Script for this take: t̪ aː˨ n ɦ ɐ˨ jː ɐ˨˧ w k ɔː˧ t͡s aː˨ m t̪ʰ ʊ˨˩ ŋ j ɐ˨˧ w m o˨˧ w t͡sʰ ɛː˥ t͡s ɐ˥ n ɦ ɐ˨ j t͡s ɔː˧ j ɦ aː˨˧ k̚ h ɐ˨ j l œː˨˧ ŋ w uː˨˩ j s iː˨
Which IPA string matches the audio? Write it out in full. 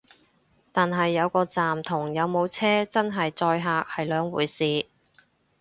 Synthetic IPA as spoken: t̪ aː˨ n ɦ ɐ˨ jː ɐ˨˧ w k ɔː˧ t͡s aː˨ m t̪ʰ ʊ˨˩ ŋ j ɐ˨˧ w m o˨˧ w t͡sʰ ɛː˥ t͡s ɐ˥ n ɦ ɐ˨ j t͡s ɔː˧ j ɦ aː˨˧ k̚ h ɐ˨ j l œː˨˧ ŋ w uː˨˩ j s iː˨